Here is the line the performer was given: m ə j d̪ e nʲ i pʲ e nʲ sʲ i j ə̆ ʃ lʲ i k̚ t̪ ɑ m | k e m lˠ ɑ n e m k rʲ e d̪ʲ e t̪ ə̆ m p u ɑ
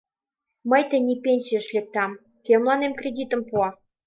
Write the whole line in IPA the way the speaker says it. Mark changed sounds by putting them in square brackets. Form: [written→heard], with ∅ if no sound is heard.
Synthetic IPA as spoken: m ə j [d̪→t̪] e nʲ i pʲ e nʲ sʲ i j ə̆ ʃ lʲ [i→e] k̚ t̪ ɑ m | k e m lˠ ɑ n e m k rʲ e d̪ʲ [e→i] t̪ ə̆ m p u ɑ